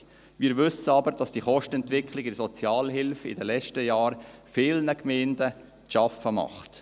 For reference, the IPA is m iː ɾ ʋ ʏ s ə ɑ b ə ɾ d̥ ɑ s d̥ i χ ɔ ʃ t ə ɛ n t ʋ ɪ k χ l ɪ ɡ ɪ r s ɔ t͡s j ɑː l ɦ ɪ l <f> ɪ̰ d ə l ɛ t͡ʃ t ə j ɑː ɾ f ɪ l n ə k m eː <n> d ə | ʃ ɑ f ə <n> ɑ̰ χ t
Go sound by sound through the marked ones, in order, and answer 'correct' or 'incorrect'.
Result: correct, correct, incorrect: m

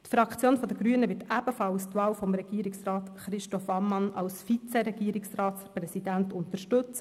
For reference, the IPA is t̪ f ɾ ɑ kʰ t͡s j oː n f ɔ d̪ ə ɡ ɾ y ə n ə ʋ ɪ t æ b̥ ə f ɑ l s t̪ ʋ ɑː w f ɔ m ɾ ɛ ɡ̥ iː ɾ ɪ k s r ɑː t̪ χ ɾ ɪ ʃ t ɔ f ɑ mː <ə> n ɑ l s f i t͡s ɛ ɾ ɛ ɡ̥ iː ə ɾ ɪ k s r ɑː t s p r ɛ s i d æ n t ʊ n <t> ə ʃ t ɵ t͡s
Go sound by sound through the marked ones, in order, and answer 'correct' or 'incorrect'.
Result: incorrect: ɑ, correct

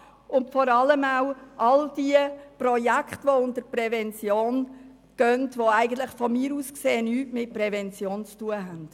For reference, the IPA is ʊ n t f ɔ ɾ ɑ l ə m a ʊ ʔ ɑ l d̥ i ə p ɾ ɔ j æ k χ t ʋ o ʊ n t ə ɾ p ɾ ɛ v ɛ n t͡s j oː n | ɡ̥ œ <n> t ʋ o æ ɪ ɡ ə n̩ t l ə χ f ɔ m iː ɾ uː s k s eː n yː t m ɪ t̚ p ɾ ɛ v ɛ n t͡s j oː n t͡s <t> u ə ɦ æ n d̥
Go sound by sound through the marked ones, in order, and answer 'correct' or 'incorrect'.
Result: correct, correct

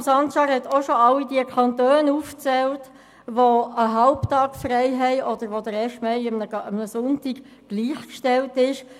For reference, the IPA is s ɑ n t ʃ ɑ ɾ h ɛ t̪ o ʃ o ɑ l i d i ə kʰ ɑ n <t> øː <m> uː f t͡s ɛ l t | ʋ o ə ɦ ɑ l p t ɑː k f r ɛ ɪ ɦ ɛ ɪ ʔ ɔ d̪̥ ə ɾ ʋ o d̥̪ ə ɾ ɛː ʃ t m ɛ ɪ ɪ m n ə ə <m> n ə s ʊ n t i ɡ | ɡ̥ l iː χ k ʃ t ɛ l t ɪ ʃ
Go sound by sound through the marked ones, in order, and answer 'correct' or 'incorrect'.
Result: correct, incorrect: n, correct

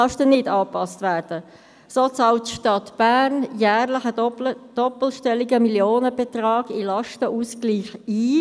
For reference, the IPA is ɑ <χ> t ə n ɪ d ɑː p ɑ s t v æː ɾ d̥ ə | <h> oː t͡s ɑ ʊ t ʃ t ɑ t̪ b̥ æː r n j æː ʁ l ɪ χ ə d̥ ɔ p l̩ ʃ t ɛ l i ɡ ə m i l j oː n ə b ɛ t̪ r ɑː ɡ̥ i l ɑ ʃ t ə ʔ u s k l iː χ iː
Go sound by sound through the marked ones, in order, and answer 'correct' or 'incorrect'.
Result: incorrect: ʃ, incorrect: s

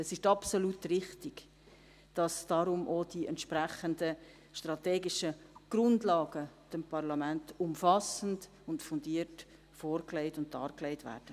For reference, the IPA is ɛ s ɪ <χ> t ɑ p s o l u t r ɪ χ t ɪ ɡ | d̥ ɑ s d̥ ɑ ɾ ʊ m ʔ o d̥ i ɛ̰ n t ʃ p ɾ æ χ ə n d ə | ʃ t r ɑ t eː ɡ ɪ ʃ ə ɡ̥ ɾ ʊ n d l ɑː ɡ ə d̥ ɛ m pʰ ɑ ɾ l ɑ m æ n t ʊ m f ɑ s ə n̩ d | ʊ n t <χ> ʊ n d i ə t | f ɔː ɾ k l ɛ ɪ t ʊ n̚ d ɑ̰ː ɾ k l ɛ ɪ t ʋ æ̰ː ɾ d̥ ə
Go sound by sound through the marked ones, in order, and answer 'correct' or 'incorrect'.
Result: incorrect: ʃ, incorrect: f

